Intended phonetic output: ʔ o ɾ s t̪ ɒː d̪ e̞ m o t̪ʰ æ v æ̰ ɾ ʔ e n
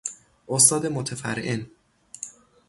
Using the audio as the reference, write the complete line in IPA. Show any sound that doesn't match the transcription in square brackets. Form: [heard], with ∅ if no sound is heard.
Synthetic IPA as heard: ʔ o [∅] s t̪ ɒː d̪ e̞ m o t̪ʰ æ [f] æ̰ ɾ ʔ e n